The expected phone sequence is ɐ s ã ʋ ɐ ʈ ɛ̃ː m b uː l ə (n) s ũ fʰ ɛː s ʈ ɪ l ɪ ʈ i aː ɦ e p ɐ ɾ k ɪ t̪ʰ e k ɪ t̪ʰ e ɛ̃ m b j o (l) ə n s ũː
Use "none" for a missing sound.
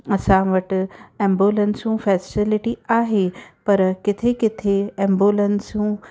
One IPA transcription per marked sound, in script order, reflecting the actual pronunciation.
n, l

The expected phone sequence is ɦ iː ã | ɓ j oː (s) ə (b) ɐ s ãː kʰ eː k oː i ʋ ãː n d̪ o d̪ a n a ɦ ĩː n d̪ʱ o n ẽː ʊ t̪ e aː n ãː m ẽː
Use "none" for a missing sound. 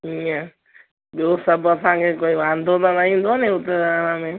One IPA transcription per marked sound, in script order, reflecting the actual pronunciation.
s, b

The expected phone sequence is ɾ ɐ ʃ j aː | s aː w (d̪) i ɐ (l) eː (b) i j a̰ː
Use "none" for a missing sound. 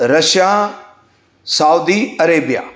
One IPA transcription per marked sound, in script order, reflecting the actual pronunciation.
d̪, ɾ, b

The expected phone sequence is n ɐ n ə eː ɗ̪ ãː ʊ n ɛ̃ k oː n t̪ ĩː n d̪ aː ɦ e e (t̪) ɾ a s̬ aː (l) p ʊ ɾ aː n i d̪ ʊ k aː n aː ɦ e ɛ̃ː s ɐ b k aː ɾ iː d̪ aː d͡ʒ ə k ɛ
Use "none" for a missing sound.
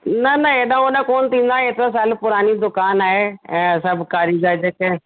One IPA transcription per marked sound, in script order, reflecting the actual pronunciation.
t̪, l

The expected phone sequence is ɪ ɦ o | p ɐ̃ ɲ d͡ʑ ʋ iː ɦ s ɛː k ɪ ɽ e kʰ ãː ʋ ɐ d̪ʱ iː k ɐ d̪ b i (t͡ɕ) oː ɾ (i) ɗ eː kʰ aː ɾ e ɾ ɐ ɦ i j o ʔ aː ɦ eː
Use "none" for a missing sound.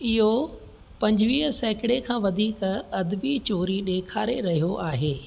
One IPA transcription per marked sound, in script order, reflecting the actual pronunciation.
t͡ɕ, i

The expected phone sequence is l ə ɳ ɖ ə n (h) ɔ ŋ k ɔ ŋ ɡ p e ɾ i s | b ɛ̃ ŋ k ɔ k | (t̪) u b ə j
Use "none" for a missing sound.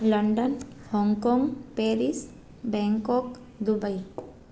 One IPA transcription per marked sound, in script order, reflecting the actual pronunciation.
h, d̪

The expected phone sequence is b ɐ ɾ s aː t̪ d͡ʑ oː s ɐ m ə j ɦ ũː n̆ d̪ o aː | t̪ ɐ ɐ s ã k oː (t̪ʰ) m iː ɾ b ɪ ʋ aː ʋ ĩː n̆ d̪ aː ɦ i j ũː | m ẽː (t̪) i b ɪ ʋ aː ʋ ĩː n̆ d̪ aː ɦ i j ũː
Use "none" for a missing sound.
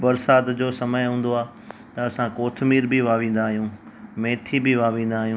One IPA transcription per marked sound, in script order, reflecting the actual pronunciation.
t̪ʰ, t̪ʰ

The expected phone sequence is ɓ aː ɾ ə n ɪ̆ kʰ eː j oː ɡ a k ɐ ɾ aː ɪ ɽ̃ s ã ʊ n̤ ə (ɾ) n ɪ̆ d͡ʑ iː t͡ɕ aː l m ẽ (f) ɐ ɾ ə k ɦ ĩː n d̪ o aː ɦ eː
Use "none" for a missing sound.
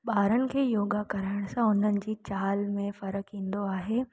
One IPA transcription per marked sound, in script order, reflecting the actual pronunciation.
none, f

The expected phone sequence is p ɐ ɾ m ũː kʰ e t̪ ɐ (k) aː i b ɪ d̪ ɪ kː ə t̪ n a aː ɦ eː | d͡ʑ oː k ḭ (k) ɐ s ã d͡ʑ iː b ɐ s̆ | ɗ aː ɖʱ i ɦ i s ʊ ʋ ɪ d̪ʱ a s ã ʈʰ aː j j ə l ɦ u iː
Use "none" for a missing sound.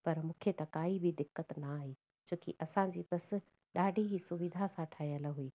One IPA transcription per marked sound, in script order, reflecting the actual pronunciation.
k, ʔ

